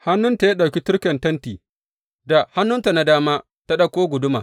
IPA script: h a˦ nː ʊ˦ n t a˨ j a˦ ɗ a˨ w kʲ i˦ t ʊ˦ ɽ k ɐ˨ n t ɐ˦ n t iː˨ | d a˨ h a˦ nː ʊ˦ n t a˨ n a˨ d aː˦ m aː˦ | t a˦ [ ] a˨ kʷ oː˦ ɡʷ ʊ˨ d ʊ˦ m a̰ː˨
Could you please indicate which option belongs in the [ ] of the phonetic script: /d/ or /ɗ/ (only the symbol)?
ɗ